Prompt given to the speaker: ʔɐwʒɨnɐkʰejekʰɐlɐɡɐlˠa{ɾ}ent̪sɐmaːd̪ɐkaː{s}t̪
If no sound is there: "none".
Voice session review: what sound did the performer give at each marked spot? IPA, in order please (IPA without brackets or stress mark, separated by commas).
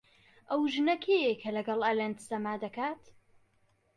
l, none